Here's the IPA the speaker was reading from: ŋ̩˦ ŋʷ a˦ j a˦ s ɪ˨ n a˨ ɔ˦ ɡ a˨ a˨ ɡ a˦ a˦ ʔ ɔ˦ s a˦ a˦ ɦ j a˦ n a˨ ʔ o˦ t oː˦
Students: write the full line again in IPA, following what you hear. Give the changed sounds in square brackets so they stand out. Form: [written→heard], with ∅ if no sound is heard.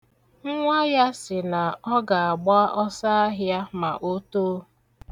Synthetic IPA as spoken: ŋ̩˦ ŋʷ a˦ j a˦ s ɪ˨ n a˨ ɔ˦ ɡ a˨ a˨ [ɡ→ɡ͡b] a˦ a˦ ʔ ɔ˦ s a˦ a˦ ɦ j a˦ [n→m] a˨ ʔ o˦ t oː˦